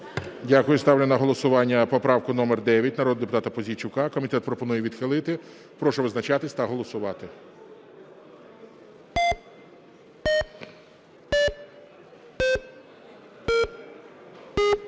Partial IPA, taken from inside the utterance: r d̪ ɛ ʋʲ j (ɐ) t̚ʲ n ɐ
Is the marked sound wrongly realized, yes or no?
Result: no